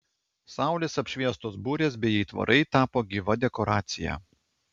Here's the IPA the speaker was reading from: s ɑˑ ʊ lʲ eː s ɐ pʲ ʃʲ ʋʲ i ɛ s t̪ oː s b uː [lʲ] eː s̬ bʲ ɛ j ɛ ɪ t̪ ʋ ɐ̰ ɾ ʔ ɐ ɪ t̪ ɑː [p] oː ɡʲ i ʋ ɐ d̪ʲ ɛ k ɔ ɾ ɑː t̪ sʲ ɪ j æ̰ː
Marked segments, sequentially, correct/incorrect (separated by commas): incorrect, correct